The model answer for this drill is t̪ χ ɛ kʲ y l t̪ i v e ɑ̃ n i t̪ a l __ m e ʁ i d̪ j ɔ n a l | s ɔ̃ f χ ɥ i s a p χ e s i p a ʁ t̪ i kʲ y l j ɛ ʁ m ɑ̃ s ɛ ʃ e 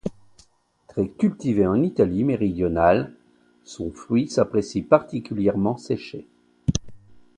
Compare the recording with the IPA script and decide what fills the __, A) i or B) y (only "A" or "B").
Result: A